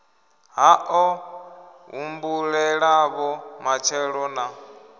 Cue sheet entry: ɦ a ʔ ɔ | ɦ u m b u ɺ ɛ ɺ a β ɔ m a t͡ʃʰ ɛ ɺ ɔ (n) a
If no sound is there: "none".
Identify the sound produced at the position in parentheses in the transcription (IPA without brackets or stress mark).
n